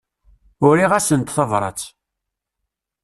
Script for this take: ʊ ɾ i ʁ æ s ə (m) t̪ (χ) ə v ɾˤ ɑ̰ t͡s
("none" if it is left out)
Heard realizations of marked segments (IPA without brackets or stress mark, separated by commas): n, θ